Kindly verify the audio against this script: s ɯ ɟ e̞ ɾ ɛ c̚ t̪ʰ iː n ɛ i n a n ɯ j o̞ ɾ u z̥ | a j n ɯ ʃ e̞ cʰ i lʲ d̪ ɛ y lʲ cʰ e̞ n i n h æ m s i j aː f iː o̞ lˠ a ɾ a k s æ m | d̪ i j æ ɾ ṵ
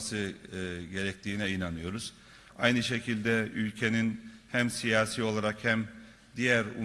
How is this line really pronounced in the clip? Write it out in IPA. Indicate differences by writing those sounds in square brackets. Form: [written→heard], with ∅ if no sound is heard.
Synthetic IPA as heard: s ɯ ɟ e̞ ɾ ɛ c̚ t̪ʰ iː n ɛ i n a n ɯ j o̞ ɾ u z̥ | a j n ɯ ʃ e̞ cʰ i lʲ d̪ ɛ y lʲ cʰ e̞ n i n h æ m s i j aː [f→s] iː o̞ lˠ a ɾ a k [s→h] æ m | d̪ i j æ ɾ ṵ